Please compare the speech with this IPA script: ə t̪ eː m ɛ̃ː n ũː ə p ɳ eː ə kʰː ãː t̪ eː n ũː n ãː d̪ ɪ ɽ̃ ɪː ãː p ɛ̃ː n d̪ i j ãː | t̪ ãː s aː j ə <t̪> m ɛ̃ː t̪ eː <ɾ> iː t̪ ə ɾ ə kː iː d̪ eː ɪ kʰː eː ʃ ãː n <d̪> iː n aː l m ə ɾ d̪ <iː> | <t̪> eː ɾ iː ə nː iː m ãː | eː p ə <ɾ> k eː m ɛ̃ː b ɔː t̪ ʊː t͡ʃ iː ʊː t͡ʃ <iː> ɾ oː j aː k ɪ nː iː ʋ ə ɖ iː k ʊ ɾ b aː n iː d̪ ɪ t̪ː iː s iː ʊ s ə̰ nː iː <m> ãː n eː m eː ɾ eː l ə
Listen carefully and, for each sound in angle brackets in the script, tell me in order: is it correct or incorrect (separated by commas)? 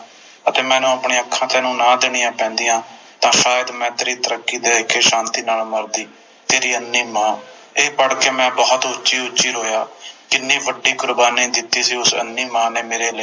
incorrect, correct, incorrect, correct, correct, incorrect, correct, correct